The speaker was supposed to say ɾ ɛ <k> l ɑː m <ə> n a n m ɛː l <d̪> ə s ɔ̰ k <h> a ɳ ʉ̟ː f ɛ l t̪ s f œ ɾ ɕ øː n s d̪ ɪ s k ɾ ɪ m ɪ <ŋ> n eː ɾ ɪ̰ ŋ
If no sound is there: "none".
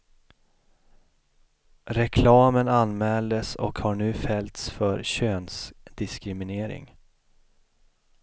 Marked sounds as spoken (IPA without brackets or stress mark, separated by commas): kʰ, ə, d̪, h, none